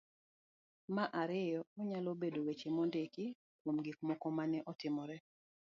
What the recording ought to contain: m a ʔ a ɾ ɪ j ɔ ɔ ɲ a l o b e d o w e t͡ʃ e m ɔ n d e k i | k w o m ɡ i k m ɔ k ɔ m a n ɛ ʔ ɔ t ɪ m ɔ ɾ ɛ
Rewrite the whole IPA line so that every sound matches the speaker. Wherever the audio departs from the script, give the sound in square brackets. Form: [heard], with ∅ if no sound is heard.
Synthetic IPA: m a ʔ a ɾ ɪ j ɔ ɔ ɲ a l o b e d o w e t͡ʃ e m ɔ n d e k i | k w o m ɡ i k m ɔ k ɔ m a n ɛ ʔ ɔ t ɪ m ɔ ɾ ɛ